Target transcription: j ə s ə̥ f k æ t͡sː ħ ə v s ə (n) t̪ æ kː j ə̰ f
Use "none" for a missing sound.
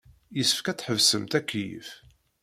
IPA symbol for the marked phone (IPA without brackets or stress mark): m